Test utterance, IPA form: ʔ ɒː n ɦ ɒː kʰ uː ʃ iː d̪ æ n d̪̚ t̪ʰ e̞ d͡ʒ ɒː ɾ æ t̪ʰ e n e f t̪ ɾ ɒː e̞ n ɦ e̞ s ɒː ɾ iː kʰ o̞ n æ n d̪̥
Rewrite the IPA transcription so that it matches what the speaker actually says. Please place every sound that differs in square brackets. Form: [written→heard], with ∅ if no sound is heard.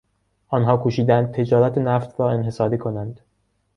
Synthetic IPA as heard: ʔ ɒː n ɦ ɒː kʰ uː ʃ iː d̪ æ n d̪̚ t̪ʰ e̞ d͡ʒ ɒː ɾ æ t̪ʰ e n [e→æ] f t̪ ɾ ɒː e̞ n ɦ e̞ s ɒː ɾ iː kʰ o̞ n æ n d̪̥